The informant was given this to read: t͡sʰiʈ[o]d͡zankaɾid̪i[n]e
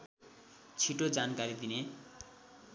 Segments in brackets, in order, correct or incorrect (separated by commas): correct, correct